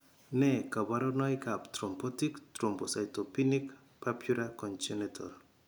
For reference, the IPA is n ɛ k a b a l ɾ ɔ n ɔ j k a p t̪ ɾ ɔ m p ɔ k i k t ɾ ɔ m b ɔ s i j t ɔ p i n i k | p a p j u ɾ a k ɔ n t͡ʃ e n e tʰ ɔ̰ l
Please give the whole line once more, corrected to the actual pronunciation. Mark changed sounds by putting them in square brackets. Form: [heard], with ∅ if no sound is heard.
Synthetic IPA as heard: n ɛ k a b a [∅] ɾ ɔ n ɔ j k a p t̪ ɾ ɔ m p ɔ [t] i k t ɾ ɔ m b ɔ s [a] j t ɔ p i n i k | p a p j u ɾ a k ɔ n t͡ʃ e n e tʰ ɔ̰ l